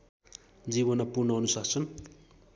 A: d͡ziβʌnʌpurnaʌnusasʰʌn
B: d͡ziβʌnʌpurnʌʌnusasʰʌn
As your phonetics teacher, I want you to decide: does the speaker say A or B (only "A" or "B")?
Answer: B